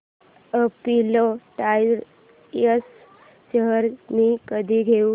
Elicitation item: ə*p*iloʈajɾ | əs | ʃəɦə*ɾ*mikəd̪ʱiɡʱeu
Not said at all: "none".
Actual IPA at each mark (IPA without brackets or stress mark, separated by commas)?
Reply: p, ɾ